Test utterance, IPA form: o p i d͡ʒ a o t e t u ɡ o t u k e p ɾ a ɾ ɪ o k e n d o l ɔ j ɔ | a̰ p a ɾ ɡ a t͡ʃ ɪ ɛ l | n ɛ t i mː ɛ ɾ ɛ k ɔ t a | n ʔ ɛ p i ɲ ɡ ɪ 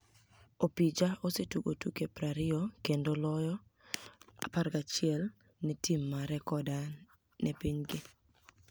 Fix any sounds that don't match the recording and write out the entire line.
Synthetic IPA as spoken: o p i d͡ʒ a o s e t u ɡ o t u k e p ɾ a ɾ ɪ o k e n d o l ɔ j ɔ | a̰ p a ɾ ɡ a t͡ʃ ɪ ɛ l | n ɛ t i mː a ɾ ɛ k ɔ d a | n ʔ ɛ p i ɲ ɡ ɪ